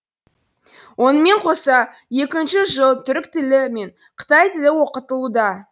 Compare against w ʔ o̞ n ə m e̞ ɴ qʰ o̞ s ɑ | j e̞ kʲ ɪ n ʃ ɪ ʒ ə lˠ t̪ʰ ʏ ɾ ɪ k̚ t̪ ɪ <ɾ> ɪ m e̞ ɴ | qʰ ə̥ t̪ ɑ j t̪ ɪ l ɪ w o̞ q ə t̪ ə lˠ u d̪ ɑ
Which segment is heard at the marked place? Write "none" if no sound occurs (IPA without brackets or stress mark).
l